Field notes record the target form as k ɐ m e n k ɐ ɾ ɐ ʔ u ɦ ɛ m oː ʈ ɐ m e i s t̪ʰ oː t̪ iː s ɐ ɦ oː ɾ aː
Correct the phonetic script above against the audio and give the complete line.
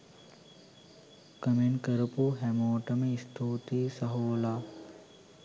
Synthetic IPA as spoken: k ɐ m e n k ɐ ɾ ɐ p u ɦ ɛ m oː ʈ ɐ m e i s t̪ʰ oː t̪ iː s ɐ ɦ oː l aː